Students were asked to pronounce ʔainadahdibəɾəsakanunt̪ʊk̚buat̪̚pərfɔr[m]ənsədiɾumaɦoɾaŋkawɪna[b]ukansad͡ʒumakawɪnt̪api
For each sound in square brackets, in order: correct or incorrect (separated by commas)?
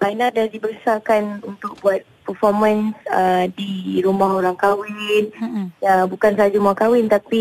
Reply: correct, correct